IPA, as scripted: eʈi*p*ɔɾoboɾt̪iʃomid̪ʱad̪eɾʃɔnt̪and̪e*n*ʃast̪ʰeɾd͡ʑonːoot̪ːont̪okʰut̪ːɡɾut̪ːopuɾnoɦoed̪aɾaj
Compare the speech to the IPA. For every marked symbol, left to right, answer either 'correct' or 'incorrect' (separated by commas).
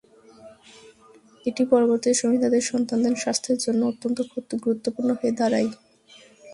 correct, correct